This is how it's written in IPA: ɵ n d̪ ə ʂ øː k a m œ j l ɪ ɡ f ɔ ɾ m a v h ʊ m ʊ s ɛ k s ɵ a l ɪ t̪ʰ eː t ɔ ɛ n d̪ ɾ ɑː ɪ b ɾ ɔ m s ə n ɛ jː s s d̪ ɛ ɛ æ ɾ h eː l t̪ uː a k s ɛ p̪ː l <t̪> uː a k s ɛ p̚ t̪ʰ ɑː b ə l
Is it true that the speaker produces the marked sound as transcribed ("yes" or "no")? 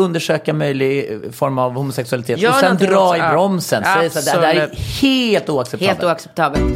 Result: yes